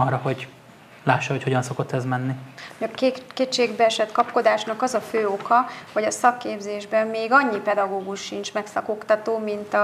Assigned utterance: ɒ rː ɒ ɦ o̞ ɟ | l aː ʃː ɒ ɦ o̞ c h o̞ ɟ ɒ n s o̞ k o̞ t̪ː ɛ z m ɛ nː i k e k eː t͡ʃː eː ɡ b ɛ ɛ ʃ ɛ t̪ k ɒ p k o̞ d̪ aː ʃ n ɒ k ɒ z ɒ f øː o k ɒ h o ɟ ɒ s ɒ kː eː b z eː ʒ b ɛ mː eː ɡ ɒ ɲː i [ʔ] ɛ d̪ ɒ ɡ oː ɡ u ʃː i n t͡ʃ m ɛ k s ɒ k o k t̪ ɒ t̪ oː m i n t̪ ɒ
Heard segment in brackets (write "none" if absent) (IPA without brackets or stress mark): p